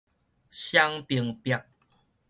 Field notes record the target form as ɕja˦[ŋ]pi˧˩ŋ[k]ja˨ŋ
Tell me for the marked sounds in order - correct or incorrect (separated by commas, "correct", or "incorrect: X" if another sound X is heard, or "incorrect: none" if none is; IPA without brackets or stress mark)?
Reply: correct, incorrect: p